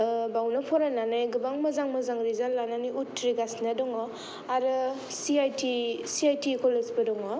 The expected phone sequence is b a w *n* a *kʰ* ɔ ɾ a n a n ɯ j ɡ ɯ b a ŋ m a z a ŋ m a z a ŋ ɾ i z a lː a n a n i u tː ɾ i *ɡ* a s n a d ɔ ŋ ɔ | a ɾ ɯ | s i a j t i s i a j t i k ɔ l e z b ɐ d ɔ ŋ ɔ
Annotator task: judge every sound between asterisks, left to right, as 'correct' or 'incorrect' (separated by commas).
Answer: correct, incorrect, correct